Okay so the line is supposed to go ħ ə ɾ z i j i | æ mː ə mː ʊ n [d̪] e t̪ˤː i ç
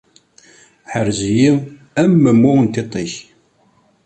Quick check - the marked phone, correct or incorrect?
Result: incorrect: t̪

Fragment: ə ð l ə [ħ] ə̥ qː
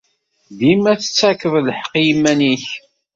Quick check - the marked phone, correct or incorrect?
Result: correct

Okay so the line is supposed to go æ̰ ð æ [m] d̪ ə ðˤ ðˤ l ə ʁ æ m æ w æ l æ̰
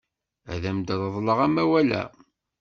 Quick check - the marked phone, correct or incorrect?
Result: correct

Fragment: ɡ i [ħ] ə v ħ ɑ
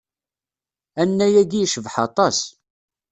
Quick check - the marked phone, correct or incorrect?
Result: incorrect: ʃ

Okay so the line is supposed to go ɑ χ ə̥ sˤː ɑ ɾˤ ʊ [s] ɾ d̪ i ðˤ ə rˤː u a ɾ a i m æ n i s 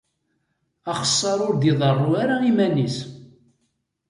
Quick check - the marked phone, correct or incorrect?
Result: incorrect: none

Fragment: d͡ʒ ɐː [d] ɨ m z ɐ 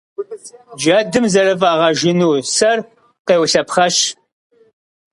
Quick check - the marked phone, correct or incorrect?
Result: correct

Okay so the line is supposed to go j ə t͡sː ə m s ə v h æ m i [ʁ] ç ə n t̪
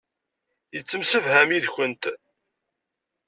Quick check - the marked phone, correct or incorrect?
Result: incorrect: ð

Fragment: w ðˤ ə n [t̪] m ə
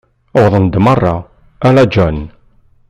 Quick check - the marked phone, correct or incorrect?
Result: incorrect: d̪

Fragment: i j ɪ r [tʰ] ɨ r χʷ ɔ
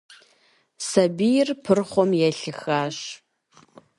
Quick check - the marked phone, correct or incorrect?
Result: incorrect: pʰ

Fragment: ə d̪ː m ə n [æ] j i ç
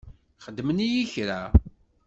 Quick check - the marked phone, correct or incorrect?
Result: incorrect: i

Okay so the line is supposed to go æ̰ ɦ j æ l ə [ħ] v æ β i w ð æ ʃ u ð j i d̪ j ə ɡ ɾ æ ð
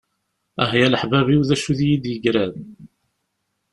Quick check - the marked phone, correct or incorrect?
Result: correct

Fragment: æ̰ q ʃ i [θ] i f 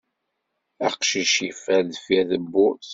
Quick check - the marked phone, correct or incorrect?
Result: incorrect: ʃ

